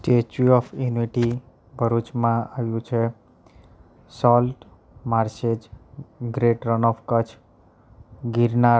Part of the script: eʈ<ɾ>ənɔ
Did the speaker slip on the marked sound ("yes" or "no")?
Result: no